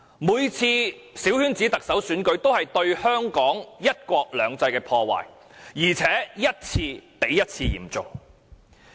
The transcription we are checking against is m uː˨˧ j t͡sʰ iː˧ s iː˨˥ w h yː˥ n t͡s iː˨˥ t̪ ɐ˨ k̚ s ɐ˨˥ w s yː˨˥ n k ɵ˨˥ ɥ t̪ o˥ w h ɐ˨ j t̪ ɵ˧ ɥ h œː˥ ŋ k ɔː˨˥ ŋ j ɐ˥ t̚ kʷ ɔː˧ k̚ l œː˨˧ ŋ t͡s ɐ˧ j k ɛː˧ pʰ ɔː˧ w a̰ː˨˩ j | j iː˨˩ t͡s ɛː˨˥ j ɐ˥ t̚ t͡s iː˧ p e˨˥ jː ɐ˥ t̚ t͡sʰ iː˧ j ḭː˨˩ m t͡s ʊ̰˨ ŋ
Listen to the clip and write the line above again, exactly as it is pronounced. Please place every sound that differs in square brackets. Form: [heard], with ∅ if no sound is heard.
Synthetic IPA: m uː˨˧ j t͡sʰ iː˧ s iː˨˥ w h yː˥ n t͡s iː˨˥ t̪ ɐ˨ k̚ s ɐ˨˥ w s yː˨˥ n k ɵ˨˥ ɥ t̪ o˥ w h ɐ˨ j t̪ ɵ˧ ɥ h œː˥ ŋ k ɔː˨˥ ŋ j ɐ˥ t̚ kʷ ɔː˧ k̚ l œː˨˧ ŋ t͡s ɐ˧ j k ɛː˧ pʰ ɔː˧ w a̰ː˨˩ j | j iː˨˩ [t͡sʰ] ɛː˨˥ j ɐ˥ t̚ [t͡sʰ] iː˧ p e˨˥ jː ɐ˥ t̚ t͡sʰ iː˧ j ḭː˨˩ m t͡s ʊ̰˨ ŋ